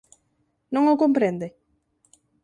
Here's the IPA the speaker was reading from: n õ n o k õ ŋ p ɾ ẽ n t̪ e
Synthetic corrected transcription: n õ ŋ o k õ m p ɾ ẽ n d̪ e